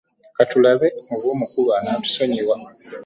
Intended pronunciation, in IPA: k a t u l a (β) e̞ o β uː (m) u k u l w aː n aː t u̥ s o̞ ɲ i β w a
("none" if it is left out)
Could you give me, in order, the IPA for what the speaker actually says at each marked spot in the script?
β, m

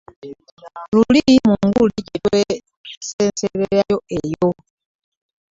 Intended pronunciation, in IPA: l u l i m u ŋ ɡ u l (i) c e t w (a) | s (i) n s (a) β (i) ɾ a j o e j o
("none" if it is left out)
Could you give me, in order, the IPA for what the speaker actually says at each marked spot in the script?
i, e, e, e, e

